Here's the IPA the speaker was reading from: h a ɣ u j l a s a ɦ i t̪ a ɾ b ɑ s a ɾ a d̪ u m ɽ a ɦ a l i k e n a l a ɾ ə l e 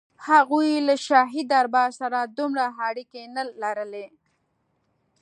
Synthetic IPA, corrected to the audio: h a ɣ u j l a ʃ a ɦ i d̪ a ɾ b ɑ s a ɾ a d̪ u m ɽ a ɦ a ɽ i k e n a l a ɾ ə l e